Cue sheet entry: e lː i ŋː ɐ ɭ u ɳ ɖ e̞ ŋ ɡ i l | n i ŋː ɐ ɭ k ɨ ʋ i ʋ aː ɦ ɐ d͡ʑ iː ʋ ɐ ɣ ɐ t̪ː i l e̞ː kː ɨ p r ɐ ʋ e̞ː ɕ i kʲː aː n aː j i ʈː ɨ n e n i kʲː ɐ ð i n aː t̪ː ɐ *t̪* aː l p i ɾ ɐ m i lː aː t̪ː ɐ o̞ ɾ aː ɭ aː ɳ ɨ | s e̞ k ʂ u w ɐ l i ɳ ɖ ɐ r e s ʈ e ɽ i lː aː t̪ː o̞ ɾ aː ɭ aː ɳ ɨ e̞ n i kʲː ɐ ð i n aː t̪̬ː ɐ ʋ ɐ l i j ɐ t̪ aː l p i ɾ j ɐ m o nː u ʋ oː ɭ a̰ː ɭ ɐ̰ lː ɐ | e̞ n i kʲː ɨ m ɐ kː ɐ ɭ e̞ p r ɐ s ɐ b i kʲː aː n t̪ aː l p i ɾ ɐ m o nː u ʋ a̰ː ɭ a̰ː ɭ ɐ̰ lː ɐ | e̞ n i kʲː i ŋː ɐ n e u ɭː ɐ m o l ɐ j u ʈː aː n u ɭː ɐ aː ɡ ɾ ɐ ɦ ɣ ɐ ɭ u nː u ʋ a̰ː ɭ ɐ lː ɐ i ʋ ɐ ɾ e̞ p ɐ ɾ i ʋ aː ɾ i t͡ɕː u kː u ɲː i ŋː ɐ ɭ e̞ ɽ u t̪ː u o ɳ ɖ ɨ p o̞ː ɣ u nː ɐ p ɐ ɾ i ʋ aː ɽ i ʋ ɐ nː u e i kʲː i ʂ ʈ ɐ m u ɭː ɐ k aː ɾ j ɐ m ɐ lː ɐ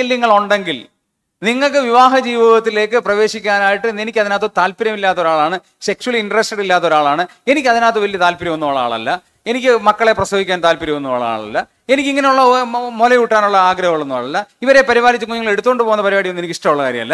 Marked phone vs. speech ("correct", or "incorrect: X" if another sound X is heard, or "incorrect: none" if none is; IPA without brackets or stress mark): correct